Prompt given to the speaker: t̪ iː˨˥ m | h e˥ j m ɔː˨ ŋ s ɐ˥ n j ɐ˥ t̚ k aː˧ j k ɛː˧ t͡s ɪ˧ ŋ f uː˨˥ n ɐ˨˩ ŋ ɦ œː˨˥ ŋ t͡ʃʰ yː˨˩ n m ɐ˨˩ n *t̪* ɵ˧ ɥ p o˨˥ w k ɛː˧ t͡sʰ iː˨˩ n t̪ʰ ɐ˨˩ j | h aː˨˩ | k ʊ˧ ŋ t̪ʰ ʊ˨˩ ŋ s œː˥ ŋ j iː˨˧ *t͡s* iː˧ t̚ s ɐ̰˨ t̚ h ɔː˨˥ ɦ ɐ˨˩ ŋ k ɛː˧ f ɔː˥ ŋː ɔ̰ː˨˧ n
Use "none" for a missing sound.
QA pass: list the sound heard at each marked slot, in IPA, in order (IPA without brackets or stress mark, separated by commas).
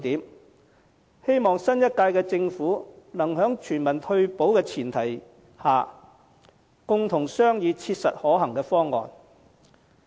t̪ʰ, t͡sʰ